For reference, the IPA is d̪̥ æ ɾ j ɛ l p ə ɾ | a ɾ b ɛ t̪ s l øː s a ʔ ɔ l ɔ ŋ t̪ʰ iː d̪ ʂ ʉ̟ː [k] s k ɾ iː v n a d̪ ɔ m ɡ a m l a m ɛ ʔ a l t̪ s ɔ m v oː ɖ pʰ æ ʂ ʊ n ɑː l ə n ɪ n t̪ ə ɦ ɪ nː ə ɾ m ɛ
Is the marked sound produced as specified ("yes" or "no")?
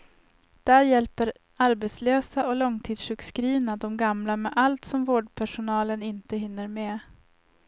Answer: yes